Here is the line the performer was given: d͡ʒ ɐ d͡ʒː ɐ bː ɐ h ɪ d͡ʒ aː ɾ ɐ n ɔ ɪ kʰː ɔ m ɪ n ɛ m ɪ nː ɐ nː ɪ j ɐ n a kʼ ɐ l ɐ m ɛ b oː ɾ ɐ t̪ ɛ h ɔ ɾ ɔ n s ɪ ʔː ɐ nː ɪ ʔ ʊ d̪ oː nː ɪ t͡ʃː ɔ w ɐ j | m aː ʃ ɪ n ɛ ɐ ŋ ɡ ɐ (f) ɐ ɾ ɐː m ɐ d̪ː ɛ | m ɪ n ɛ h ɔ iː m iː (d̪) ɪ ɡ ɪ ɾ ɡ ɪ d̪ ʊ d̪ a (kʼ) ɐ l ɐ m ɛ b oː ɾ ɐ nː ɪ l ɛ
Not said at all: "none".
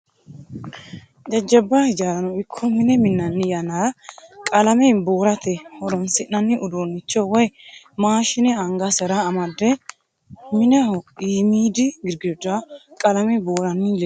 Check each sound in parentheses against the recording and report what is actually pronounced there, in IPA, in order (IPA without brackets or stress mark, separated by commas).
s, d̪, kʼ